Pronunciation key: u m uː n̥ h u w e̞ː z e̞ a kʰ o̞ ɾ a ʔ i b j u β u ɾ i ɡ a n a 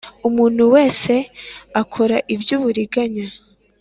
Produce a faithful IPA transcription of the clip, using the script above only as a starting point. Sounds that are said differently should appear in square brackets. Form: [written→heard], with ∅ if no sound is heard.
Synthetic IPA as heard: u m uː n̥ h u w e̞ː [z→s] e̞ a kʰ o̞ ɾ a ʔ i b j u β u ɾ i ɡ a [n→ɲ] a